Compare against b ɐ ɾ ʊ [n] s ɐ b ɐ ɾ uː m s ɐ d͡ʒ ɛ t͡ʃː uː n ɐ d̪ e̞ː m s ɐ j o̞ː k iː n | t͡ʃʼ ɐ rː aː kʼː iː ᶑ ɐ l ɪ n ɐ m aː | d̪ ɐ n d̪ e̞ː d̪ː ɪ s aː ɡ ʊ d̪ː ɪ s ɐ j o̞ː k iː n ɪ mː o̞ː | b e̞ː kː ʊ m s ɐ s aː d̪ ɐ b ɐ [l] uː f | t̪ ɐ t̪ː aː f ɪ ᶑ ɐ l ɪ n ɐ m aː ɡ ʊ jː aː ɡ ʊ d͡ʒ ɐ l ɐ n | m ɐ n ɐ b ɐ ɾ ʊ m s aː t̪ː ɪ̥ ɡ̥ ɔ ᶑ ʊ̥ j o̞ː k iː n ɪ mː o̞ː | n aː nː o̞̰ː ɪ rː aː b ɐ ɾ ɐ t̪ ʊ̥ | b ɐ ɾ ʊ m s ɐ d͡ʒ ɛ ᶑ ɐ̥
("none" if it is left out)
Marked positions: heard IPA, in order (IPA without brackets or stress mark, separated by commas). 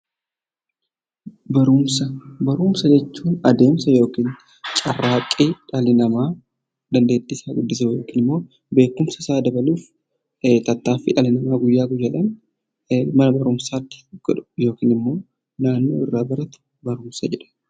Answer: m, l